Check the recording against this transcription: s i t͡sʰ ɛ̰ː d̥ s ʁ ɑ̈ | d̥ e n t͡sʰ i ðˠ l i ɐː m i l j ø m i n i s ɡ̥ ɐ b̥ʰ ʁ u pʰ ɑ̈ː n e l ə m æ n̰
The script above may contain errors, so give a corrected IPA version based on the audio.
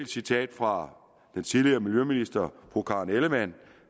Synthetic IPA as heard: s i t͡sʰ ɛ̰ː d̥ f ʁ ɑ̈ | d̥ e n t͡sʰ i ðˠ l i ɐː m i l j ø m i n i s d̥ ɐ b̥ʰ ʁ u kʰ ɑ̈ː n e l ə m æ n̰